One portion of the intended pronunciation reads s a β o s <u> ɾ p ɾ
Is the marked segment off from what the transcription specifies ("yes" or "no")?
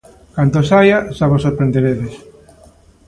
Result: yes